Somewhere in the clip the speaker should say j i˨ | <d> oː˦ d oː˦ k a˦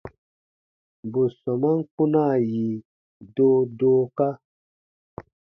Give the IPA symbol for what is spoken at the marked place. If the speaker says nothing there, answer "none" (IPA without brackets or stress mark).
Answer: d